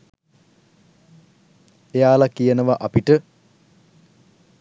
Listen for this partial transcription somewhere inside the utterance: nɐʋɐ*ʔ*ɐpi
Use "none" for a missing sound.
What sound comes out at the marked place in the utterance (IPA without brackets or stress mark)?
ʔ